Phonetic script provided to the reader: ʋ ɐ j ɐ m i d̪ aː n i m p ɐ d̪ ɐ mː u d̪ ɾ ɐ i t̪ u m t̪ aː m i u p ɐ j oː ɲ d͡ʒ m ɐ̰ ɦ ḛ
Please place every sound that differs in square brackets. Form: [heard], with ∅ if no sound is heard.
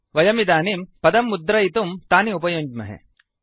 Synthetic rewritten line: ʋ ɐ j ɐ m i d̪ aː n i m p ɐ d̪ ɐ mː u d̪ ɾ ɐ i t̪ u m t̪ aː [n] i u p ɐ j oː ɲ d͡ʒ m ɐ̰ ɦ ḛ